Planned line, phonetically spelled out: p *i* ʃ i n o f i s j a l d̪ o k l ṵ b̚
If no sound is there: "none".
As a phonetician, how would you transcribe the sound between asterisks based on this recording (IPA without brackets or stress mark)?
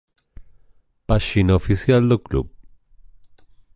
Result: a